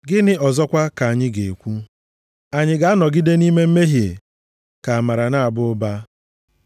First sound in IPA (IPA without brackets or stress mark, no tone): ɡ